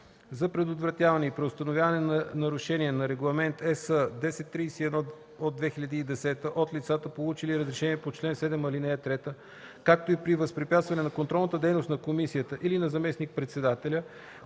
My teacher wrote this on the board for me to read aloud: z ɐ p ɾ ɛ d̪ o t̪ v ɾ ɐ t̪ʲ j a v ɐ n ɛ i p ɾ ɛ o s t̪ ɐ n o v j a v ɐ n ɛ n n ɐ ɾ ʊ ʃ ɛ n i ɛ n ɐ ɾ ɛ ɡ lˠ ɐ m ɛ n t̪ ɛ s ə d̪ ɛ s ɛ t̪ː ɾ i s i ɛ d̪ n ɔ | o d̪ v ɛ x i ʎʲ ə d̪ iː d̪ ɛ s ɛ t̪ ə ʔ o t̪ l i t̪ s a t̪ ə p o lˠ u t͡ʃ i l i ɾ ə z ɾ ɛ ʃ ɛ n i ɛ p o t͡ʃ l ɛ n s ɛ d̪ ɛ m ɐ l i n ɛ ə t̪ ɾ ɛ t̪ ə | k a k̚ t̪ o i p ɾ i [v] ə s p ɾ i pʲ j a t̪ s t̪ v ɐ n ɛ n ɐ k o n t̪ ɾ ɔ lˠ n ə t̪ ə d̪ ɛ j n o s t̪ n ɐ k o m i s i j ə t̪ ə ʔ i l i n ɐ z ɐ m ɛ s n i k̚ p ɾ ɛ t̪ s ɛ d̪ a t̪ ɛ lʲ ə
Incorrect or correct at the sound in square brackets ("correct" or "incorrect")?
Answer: correct